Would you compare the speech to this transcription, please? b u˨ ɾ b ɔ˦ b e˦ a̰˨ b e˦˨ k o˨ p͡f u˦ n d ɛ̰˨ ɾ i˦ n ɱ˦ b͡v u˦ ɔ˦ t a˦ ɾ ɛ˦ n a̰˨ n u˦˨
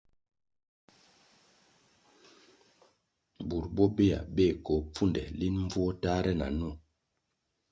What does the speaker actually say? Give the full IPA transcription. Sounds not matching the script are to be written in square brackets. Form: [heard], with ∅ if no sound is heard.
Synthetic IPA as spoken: b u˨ ɾ b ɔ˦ b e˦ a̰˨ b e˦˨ k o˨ p͡f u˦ n d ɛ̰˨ [l] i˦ n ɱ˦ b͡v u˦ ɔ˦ t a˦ ɾ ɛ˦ n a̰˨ n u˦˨